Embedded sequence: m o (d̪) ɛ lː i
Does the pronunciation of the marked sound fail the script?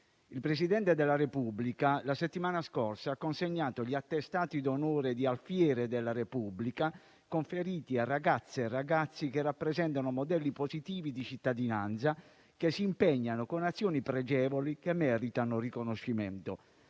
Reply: no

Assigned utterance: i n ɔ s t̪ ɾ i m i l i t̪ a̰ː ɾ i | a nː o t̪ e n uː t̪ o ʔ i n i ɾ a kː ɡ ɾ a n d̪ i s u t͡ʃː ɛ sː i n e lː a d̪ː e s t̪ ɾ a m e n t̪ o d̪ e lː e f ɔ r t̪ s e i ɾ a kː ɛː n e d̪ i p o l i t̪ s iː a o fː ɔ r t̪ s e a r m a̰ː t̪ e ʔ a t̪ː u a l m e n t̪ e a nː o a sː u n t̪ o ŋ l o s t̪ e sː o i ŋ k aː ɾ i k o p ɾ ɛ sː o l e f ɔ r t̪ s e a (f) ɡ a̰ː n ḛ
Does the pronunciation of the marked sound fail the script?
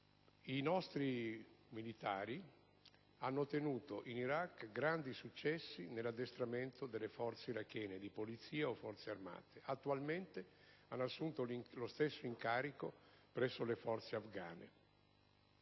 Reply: no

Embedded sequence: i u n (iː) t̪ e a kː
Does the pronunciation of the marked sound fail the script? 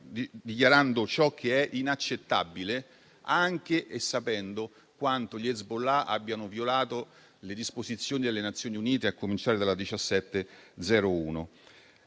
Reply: no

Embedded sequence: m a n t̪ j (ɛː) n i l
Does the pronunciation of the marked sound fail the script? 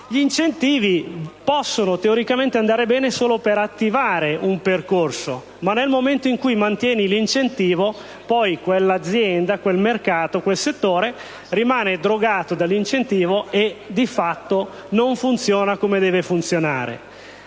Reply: no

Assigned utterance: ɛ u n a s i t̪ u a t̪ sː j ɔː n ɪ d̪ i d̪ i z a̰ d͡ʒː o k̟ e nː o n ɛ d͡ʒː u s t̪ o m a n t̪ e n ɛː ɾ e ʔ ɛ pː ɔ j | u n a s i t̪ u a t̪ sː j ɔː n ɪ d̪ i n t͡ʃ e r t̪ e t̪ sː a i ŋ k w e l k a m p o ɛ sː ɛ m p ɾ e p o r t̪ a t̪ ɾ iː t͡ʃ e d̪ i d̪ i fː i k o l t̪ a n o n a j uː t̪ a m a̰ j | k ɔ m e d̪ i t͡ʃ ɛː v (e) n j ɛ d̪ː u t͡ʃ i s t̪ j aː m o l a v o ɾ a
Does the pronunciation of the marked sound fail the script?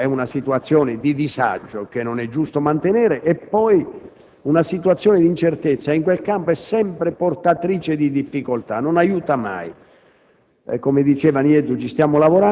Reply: yes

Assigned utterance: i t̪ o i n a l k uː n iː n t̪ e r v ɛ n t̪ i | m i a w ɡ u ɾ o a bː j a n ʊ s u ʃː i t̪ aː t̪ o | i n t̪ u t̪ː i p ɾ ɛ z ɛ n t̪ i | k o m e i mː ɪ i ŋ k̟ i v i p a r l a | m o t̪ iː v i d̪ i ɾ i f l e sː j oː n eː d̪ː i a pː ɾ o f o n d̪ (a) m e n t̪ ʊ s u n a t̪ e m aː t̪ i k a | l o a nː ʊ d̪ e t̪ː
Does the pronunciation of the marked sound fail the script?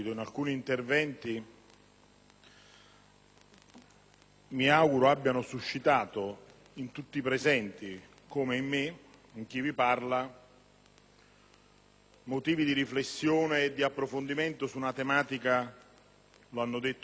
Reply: yes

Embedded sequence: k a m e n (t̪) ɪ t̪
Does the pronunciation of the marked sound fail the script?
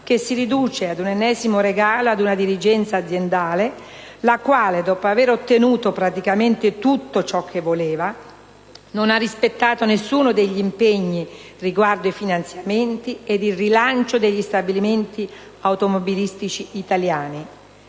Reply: no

